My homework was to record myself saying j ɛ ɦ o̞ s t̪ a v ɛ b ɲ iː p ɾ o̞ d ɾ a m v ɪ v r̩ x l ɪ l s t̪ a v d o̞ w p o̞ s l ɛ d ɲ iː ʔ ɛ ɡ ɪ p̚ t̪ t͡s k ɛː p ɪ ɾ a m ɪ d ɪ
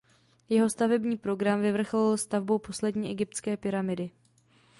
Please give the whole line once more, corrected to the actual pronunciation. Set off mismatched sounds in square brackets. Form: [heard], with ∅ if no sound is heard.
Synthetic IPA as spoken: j ɛ ɦ o̞ s t̪ a v ɛ b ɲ iː p ɾ o̞ [ɡ] ɾ a m v ɪ v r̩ x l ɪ l s t̪ a v [b] o̞ w p o̞ s l ɛ d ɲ iː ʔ ɛ ɡ ɪ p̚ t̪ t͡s k ɛː p ɪ ɾ a m ɪ d ɪ